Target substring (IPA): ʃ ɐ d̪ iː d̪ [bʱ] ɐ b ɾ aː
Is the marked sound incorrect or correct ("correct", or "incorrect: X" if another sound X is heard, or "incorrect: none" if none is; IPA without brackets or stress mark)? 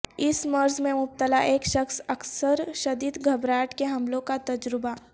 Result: incorrect: ɡʱ